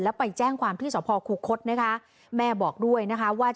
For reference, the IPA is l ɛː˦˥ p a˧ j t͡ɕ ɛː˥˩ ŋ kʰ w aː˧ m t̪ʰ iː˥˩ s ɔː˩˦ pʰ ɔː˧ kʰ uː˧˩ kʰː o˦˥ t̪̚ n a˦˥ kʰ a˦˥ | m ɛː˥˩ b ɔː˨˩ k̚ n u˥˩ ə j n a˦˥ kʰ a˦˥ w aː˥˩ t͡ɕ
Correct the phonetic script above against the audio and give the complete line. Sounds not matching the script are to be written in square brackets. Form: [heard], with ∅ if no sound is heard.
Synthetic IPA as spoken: l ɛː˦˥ p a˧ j t͡ɕ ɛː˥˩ ŋ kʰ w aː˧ m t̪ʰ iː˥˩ s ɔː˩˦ pʰ ɔː˧ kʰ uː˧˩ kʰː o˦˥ t̪̚ n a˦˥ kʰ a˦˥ | m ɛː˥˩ b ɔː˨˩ k̚ [d] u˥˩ ə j n a˦˥ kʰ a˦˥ w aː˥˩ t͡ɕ